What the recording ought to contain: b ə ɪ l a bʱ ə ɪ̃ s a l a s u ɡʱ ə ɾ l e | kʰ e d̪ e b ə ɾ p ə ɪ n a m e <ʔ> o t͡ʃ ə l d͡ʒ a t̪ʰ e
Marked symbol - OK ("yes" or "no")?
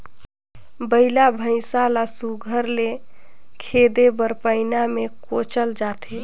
no